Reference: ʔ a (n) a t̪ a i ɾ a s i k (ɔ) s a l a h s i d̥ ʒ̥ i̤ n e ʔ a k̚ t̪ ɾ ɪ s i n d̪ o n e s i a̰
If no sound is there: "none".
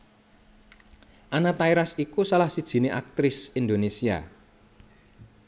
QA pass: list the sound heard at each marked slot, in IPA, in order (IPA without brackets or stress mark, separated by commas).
n, u